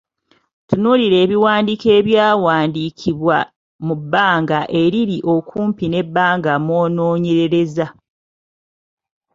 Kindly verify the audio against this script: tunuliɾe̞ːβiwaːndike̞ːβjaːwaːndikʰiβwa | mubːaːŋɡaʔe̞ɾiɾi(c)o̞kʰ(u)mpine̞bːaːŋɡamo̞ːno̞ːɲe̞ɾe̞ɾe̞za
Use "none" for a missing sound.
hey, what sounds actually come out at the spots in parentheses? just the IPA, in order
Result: ʔ, uː

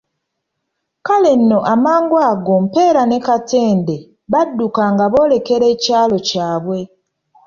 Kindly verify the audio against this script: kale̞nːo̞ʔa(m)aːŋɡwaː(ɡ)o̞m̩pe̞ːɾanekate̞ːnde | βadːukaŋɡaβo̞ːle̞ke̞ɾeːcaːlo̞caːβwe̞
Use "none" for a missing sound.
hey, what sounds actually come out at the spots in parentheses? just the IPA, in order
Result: m, ɡ

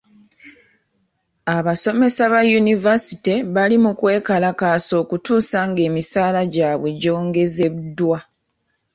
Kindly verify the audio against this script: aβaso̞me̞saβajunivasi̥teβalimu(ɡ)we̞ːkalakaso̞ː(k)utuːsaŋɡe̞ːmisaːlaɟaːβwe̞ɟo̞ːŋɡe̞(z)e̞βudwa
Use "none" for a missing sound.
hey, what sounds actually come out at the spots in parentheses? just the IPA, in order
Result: k, k, z

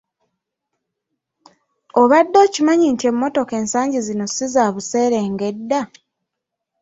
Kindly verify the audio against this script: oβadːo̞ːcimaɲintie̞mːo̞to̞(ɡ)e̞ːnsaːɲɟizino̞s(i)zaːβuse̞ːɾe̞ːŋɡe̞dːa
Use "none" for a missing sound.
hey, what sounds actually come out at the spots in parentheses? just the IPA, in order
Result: k, i

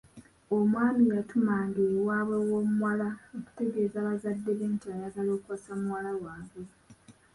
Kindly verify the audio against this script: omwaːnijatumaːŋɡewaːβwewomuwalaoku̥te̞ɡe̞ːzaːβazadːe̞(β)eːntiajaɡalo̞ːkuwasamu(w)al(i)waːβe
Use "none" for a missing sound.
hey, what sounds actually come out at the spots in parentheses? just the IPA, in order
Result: β, w, a

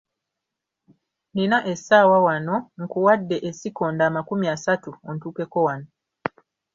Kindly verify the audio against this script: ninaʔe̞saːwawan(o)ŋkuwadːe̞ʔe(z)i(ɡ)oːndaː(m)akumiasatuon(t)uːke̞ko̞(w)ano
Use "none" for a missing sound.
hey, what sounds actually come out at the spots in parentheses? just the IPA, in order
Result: o, s, k, m, t, w

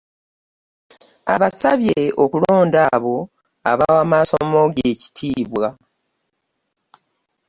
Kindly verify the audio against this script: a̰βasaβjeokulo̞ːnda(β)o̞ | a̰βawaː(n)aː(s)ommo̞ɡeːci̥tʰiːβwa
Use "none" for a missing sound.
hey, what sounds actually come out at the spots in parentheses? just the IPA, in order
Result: β, m, s

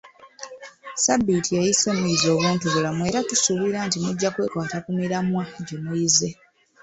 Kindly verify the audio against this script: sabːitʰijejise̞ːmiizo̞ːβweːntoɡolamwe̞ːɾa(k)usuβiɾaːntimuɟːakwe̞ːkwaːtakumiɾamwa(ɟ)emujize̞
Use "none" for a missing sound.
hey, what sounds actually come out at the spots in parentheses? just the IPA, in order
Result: t, ɟ

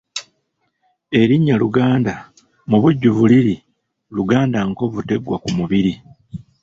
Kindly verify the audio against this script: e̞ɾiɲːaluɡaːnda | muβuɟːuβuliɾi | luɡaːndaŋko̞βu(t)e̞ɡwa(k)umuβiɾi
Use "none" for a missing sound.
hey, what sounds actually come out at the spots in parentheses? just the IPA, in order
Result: t, k

